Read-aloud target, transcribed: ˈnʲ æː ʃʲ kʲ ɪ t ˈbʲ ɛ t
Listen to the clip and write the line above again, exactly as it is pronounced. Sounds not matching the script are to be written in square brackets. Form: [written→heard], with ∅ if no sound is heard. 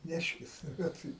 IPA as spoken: ˈnʲ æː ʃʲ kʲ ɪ [t→s] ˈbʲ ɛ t